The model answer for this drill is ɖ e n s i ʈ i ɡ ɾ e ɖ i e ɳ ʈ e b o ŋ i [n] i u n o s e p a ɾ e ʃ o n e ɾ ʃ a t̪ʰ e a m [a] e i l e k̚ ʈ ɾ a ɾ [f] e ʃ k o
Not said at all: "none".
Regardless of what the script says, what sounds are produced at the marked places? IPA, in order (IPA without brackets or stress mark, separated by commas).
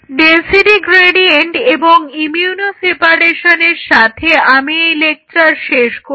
m, i, ʃ